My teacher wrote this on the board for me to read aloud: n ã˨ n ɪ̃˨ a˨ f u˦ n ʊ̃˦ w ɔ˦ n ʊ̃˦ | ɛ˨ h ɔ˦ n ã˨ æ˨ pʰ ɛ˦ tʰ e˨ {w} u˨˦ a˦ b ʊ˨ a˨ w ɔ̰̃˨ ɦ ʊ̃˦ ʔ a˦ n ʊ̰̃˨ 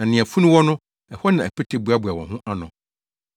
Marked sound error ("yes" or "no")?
yes